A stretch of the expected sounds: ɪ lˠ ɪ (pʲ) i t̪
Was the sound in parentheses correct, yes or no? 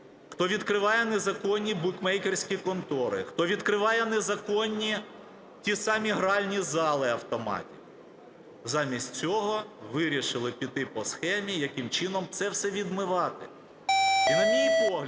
yes